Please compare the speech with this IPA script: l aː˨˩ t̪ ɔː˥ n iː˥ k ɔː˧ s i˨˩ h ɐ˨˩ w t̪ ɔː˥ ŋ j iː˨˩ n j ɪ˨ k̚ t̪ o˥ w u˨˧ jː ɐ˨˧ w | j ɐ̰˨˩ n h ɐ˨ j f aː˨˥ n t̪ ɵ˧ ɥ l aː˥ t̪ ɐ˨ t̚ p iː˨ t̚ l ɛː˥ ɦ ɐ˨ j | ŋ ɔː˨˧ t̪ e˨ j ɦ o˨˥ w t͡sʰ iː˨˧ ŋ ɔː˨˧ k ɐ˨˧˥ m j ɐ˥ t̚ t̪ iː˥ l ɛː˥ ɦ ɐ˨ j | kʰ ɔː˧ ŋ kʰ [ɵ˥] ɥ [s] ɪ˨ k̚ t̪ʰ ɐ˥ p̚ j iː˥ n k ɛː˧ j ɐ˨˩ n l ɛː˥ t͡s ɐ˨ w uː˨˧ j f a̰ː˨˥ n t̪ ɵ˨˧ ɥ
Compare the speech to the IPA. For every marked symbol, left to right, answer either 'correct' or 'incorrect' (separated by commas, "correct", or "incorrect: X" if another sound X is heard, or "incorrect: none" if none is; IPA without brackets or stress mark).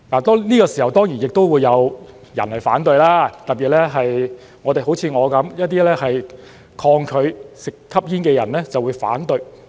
incorrect: ɵ˨˧, correct